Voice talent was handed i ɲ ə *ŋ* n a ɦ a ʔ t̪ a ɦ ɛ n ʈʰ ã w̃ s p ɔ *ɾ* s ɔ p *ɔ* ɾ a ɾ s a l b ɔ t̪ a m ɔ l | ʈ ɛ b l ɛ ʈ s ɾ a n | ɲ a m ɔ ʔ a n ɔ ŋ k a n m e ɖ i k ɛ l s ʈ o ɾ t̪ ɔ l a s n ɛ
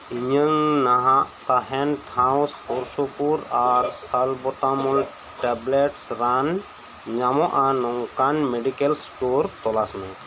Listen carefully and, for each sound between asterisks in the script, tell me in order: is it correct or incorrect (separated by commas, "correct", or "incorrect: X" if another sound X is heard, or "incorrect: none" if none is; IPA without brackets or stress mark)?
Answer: correct, correct, incorrect: u